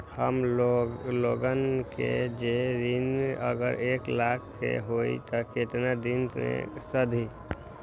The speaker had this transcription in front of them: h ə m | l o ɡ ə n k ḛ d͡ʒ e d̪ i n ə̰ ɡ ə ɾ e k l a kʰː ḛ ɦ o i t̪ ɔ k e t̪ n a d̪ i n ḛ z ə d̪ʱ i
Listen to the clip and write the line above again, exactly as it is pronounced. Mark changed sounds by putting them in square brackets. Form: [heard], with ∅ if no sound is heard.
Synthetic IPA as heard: h ə m | l o ɡ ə n k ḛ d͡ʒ e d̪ i n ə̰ ɡ ə ɾ e k l a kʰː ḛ ɦ o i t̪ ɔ k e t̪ n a d̪ i n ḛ [s] ə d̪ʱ i